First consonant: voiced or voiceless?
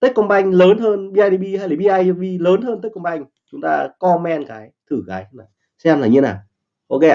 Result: voiceless